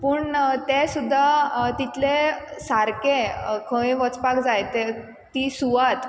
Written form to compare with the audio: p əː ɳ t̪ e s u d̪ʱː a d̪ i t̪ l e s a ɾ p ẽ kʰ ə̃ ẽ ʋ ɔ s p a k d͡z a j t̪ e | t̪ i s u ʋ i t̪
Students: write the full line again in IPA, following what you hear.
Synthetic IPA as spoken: p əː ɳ t̪ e s u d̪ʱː a t̪ i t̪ l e s a ɾ k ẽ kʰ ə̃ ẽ ʋ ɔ t͡s p a k d͡z a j t̪ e | t̪ i s u ʋ a t̪

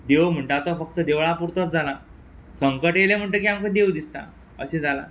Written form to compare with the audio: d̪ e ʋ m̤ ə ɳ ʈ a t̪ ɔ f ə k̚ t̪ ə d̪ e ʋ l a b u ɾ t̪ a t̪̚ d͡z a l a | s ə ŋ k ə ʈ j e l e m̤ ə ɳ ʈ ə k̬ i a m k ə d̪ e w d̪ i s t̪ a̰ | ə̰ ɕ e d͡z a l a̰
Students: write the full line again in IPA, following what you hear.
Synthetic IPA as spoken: d̪ e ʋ m̤ ə ɳ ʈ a t̪ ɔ f ə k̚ t̪ ə d̪ e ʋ ɭ a p u ɾ t̪ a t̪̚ d͡z a l a | s ə ŋ k ə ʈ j e l e m̤ ə ɳ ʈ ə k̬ i a m k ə d̪ e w d̪ i s t̪ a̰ | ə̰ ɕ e d͡z a l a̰

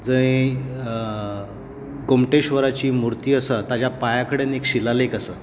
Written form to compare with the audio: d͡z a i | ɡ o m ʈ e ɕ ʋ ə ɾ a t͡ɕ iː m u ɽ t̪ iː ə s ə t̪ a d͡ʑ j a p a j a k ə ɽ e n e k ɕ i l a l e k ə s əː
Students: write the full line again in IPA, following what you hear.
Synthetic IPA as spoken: d͡z ə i | ɡ o m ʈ e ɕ ʋ ə ɾ a t͡ɕ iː m u ɾ t̪ iː ə s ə t̪ a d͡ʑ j a p a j a k ə ɽ e n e k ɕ i l a l e k ə s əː

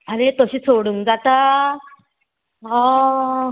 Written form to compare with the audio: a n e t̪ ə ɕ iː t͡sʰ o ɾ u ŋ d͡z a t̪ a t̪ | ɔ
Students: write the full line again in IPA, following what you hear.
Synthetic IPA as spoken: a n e t̪ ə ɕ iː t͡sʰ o ɽ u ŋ d͡z a t̪ a | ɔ

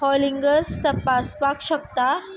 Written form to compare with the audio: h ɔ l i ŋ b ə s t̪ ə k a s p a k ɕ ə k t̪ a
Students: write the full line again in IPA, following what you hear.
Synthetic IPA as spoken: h ɔ l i ŋ ɡ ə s t̪ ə p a s p a k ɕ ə k t̪ a

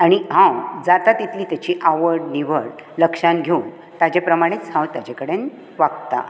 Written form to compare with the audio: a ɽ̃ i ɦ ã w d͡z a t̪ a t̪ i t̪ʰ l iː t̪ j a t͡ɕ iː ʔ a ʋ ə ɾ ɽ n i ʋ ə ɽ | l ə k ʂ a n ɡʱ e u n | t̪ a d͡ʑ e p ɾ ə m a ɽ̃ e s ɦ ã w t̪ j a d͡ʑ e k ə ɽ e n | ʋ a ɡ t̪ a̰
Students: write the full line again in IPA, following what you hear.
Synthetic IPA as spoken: a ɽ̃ i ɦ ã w d͡z a t̪ a t̪ i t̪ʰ l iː t̪ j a t͡ɕ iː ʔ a ʋ ə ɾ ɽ n i ʋ ə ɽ | l ə k ʂ a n ɡʱ e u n | t̪ a d͡ʑ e p ɾ ə m a ɽ̃ e t͡s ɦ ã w t̪ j a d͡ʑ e k ə ɽ e n | ʋ a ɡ t̪ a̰

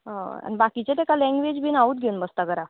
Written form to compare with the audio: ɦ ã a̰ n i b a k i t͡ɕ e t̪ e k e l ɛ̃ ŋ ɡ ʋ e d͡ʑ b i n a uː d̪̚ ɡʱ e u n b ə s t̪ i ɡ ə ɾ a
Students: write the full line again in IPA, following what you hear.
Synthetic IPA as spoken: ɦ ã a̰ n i b a k i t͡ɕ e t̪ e k a l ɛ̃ ŋ ɡ ʋ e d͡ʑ b i n a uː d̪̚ ɡʱ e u n b ə s t̪ a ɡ ə ɾ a

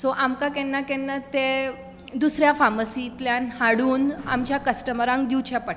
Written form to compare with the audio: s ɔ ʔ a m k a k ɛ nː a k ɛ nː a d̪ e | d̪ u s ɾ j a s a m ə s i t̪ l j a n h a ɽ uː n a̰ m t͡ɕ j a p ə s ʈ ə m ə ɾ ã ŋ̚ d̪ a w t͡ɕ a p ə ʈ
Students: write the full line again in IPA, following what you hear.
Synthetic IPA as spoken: s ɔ ʔ a m k a k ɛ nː a k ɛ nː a t̪ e | d̪ u s ɾ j a f a m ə s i t̪ l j a n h a ɽ uː n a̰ m t͡ɕ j a k ə s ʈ ə m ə ɾ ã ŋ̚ d̪ i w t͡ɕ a p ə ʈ

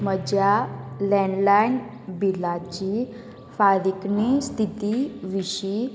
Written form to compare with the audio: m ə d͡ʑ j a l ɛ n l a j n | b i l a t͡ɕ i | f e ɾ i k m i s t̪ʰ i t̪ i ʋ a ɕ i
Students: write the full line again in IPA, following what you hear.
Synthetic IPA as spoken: m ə d͡ʑ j a l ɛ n l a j n | b i l a t͡ɕ i | f a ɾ i k n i s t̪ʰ i t̪ i ʋ i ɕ i

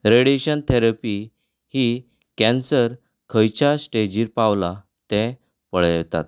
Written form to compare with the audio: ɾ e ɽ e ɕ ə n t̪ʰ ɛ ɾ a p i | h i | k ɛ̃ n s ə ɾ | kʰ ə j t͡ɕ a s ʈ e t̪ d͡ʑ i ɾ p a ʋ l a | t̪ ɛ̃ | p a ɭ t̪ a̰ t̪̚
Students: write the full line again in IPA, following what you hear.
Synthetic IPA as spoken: ɾ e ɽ e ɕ ə n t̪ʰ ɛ ɾ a p i | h i | k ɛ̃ n s ə ɾ | kʰ ə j t͡ɕ a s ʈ e d͡ʑ i ɾ p a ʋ l a | t̪ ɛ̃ | p ə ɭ t̪ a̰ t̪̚

